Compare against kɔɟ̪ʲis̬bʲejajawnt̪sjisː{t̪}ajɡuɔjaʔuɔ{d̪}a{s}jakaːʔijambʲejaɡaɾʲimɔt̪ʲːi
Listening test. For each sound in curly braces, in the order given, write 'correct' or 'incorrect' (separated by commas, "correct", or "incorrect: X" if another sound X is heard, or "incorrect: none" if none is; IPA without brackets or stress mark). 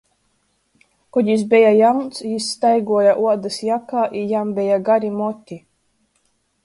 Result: correct, correct, correct